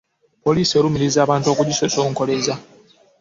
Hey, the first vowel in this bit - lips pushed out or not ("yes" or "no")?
yes